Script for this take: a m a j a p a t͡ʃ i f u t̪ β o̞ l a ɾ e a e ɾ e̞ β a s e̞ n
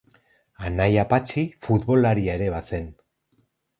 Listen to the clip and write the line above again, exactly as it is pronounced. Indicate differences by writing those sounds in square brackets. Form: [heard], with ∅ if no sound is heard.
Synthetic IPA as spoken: a [n] a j a p a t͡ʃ i f u t̪ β o̞ l a ɾ [i] a e ɾ e̞ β a s e̞ n